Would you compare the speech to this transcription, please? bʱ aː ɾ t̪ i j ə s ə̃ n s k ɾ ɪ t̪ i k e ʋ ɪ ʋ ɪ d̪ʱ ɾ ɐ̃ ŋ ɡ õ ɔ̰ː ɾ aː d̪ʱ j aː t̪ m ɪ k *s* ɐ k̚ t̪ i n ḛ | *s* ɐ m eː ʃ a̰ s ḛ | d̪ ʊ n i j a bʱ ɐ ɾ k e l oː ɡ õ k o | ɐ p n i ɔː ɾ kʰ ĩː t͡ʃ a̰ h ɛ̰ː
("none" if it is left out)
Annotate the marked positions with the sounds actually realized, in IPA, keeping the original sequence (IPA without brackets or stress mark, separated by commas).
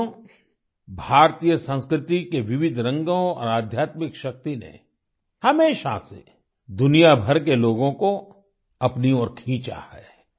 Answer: ʃ, h